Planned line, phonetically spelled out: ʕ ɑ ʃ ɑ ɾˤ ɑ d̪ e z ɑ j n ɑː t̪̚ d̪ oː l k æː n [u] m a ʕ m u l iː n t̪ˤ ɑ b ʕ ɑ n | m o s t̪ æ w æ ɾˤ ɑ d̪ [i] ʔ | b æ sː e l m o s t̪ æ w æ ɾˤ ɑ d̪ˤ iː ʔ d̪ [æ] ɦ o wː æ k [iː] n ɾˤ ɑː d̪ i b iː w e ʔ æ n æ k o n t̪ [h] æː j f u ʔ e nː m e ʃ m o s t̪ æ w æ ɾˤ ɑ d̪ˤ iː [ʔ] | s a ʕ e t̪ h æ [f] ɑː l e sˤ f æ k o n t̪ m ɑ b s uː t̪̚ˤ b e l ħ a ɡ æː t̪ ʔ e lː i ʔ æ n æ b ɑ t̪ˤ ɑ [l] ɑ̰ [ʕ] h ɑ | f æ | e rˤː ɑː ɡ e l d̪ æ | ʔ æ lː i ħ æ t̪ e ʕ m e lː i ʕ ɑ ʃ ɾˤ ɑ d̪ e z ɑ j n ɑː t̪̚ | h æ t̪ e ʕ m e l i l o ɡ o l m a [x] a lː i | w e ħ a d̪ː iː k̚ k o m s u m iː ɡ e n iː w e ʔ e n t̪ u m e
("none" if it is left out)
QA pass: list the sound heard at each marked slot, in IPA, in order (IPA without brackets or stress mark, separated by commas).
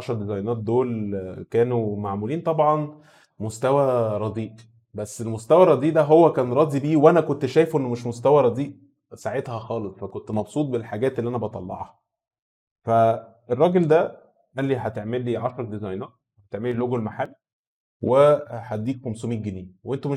u, iː, æ, æː, ʃ, ʔ, x, lː, ʕ, ħ